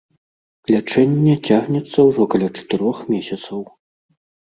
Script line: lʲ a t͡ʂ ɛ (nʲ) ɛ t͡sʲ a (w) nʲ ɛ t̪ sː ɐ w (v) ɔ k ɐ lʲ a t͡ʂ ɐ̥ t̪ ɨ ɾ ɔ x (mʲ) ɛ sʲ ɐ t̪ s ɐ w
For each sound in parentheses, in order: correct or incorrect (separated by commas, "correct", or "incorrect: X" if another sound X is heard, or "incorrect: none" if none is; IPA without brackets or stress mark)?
incorrect: nʲː, incorrect: ɣ, incorrect: ʐ, correct